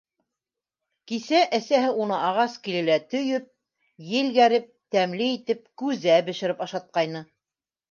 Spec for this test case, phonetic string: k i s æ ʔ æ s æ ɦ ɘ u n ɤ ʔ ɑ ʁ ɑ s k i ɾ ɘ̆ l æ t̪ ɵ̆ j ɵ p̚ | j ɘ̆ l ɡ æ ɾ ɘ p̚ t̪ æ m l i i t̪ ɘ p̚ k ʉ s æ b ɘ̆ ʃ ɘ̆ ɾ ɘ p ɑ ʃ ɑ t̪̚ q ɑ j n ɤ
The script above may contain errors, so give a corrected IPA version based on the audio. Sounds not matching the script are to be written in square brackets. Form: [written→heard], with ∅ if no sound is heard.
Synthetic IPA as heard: k i s æ ʔ æ s æ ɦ ɘ u n ɤ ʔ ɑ ʁ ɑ s k i [ɾ→l] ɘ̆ l æ t̪ ɵ̆ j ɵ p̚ | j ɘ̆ l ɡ æ ɾ ɘ p̚ t̪ æ m l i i t̪ ɘ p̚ k ʉ [s→z] æ b ɘ̆ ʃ ɘ̆ ɾ ɘ p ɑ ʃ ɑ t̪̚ q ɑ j n ɤ